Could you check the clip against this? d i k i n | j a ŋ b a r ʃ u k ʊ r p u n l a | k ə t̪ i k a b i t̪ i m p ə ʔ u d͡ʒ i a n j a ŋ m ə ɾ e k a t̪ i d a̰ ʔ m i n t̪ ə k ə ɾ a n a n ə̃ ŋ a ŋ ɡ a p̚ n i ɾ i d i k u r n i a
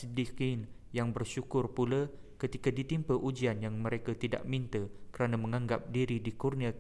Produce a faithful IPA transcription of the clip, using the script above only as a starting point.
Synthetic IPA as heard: d i k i n | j a ŋ b ə r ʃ u k ʊ r p u l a | k ə t̪ i k a d i t̪ i m p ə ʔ u d͡ʒ i a n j a ŋ m ə ɾ e k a t̪ i d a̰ ʔ m i n t̪ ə k ə ɾ a n a m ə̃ ŋ a ŋ ɡ a p̚ d i ɾ i d i k u r n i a